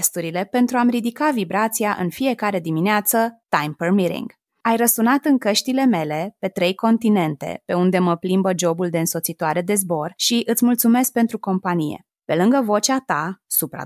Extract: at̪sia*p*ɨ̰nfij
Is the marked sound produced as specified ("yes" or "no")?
no